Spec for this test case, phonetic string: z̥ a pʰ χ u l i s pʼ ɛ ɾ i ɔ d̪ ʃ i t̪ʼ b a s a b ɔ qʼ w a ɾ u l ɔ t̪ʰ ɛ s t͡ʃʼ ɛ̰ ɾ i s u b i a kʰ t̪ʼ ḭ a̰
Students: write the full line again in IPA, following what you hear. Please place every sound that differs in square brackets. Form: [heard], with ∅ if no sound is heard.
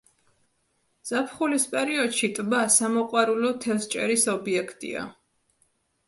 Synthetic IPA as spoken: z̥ a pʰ χ u l i s pʼ ɛ ɾ i ɔ d̪ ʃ i t̪ʼ b a s a [m] ɔ qʼ w a ɾ u l ɔ t̪ʰ ɛ s t͡ʃʼ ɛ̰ ɾ i s [ɔ] b i [ɛ] kʰ t̪ʼ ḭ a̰